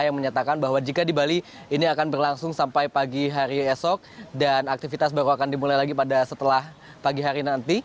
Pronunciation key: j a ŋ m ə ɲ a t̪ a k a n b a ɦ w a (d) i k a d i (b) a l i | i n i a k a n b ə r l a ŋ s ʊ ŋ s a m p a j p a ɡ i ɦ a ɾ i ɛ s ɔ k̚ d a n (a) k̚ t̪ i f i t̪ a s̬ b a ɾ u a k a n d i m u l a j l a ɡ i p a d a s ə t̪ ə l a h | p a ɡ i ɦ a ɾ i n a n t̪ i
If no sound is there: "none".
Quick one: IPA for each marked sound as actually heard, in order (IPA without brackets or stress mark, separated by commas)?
d͡ʒ, b, a